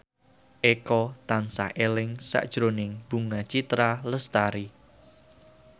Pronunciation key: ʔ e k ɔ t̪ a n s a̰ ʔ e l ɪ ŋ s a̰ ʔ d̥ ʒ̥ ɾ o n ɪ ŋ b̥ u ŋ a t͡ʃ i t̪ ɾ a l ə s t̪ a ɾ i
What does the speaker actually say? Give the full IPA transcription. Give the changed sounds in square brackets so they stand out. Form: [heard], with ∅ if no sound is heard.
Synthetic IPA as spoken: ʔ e k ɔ t̪ a n s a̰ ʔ e l ɪ ŋ s a̰ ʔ d̥ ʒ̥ ɾ o n ɪ ŋ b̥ u ŋ a t͡ʃ i t̪ ɾ a l ə s t̪ a ɾ i